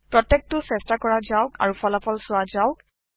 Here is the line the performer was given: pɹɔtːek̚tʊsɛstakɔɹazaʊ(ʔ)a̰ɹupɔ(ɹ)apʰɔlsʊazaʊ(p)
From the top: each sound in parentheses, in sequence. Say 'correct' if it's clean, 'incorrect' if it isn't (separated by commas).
incorrect, incorrect, incorrect